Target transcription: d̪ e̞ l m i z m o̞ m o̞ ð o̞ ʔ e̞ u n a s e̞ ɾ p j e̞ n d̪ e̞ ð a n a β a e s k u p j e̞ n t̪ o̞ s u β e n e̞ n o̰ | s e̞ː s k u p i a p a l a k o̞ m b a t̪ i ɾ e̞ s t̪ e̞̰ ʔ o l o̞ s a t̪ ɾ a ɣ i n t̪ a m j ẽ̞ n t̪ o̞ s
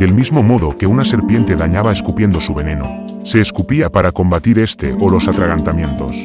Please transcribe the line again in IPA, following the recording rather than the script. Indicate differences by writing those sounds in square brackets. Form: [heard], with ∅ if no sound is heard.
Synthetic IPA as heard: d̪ e̞ l m i z m o̞ m o̞ ð o̞ [k] e̞ u n a s e̞ ɾ p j e̞ n [t̪] e̞ ð a [ɲ] a β a e s k u p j e̞ n [d̪] o̞ s u β e n e̞ n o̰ | s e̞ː s k u p i a p a [ɾ] a k o̞ m b a t̪ i ɾ e̞ s t̪ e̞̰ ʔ o l o̞ s a t̪ ɾ a ɣ [a] n t̪ a m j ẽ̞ n t̪ o̞ s